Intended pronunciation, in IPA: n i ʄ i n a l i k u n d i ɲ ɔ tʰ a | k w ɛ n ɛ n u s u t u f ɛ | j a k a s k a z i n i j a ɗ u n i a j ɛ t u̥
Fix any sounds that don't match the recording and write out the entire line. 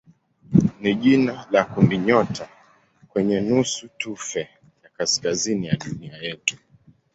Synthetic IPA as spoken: n i ʄ i n a l a k u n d i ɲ ɔ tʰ a | k w ɛ ɲ ɛ n u s u t u f ɛ | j a k a s k a z i n i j a ɗ u n i a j ɛ t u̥